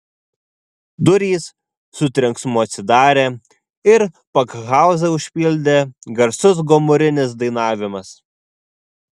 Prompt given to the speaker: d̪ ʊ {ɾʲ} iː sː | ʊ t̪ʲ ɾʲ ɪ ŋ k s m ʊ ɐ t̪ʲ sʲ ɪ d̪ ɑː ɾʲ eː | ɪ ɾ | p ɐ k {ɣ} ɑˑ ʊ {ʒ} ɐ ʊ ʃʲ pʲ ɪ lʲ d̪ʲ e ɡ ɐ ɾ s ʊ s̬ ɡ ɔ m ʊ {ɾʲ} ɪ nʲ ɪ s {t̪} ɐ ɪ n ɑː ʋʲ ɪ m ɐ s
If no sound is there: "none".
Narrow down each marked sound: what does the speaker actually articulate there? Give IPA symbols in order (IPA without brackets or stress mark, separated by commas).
ɾʲ, ɣ, z, ɾʲ, d̪